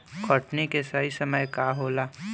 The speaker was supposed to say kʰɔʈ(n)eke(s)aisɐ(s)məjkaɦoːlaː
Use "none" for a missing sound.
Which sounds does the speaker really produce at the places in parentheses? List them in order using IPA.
n, s, none

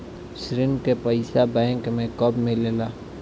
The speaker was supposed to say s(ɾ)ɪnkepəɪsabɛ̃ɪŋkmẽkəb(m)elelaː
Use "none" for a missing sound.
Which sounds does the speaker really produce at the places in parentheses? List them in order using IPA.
ɾ, m

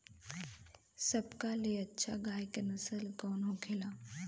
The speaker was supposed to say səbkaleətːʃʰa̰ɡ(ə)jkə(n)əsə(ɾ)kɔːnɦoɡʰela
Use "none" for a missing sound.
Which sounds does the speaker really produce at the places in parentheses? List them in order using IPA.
a, n, l

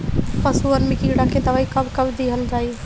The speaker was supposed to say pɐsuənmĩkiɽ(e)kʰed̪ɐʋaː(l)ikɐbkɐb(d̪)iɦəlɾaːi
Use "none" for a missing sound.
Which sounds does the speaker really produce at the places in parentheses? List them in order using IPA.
a, none, d̪

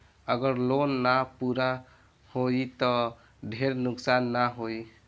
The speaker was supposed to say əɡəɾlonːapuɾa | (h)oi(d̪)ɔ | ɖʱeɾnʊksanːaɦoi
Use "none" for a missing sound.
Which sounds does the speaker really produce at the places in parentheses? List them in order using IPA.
h, t̪

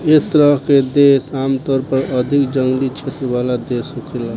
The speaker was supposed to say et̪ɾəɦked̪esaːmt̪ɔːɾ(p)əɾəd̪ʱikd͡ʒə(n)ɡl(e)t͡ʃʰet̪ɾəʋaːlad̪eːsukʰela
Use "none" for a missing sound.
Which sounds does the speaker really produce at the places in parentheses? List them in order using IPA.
p, ŋ, i

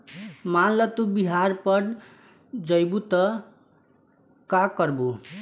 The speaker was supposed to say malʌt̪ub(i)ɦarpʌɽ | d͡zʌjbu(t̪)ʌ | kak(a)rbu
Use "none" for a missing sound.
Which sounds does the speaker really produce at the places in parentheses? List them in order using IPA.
i, t̪, ʌ

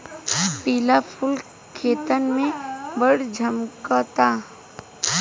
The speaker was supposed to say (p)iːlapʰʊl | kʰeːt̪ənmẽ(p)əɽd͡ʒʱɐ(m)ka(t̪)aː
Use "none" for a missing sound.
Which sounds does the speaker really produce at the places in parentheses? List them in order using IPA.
p, b, m, t̪

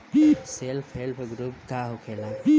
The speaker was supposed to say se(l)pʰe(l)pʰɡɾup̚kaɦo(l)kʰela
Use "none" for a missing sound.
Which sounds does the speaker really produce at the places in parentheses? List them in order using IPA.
l, l, none

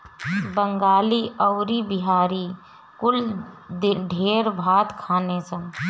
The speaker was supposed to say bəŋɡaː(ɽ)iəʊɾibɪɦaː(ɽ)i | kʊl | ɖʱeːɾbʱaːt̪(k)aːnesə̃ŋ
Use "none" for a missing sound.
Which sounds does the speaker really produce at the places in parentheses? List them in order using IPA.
l, ɾ, kʰ

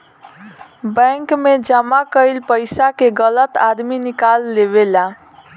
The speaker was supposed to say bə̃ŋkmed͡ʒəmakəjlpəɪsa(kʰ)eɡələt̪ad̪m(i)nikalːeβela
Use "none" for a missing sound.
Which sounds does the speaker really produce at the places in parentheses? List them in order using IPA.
k, i

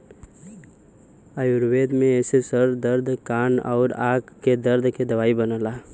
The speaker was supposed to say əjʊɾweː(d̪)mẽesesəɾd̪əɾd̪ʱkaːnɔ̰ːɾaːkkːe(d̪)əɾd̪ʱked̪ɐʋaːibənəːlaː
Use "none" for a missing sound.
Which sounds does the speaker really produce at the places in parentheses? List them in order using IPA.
d̪, d̪

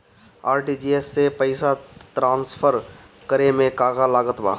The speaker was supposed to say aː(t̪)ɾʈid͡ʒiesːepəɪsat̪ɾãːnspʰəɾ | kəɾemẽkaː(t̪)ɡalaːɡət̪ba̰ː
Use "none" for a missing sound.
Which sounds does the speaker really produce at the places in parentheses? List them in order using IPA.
none, none

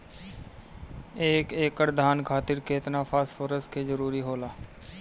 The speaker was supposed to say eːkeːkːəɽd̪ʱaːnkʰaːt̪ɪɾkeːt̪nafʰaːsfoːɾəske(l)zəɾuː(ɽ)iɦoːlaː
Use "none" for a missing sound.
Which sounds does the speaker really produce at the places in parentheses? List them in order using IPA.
none, ɾ

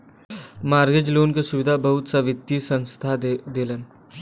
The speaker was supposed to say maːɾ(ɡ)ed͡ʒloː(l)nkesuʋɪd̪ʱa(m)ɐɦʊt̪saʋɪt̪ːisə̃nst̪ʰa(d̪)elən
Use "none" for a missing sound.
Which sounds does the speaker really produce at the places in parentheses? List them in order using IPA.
ɡ, none, b, d̪

